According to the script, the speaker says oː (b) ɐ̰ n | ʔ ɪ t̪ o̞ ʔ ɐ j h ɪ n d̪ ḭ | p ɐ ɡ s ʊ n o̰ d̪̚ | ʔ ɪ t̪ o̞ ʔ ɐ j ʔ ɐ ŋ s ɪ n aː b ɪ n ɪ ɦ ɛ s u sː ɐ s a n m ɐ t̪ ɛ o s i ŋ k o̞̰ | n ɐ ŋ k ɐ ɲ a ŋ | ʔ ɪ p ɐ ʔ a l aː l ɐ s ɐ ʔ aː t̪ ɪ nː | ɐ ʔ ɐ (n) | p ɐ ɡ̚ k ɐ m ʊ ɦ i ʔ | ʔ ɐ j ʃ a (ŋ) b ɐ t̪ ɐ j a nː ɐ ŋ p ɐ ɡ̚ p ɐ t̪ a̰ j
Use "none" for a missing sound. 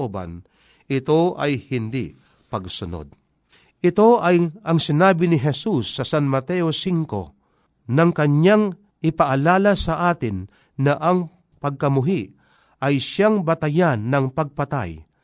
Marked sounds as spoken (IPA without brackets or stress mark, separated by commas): b, ŋ, ŋ